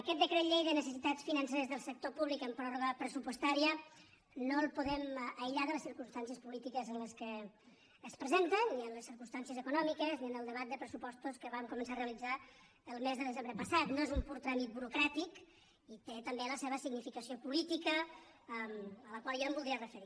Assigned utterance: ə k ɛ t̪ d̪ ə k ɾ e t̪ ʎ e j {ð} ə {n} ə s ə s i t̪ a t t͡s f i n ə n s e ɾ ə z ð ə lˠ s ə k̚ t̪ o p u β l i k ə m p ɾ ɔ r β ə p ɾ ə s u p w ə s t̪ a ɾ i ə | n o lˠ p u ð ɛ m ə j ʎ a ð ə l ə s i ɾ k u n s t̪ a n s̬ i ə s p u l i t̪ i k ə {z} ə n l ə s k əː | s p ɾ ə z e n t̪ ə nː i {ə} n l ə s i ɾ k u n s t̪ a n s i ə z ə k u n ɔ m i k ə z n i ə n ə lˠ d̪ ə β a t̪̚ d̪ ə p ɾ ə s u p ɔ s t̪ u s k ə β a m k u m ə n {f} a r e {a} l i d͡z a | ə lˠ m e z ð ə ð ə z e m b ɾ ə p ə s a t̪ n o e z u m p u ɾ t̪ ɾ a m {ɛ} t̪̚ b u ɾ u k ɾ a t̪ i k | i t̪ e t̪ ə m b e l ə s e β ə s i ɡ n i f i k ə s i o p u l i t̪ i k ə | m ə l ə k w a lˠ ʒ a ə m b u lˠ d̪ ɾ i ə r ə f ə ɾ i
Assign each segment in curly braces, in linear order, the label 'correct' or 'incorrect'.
correct, correct, correct, correct, incorrect: s, incorrect: ə, incorrect: i

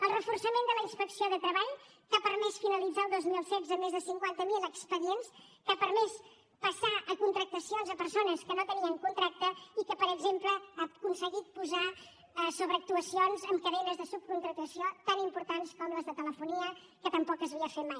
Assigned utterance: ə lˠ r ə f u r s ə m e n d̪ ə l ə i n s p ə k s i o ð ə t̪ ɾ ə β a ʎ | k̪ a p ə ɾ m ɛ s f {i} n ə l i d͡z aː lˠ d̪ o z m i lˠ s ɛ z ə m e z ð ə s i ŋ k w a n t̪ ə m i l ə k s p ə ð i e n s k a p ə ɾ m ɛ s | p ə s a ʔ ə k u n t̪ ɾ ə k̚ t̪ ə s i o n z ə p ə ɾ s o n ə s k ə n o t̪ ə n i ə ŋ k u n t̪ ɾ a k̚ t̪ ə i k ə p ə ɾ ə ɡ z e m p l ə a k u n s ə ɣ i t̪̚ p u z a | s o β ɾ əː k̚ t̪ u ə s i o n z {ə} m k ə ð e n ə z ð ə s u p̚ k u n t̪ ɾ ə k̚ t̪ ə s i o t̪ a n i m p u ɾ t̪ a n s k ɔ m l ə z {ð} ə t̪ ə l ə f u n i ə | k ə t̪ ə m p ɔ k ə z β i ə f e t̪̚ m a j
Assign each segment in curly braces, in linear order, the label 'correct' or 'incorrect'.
correct, correct, correct

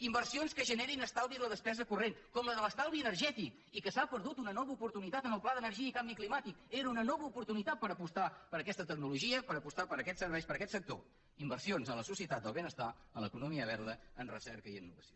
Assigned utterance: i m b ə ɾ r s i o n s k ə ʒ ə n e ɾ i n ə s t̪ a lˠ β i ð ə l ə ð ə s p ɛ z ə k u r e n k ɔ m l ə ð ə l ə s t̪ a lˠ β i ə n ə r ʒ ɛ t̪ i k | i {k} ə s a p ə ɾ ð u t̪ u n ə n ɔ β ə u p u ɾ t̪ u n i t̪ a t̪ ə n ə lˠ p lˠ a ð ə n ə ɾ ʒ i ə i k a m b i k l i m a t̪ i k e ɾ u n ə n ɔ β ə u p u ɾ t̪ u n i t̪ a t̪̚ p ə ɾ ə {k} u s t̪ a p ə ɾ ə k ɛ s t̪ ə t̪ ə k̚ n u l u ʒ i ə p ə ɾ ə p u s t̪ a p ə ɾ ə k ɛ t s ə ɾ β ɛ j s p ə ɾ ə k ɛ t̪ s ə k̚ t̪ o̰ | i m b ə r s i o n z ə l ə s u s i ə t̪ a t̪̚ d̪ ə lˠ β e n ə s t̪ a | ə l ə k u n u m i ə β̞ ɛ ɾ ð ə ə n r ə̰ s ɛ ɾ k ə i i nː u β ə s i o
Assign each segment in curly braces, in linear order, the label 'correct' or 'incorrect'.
correct, incorrect: p

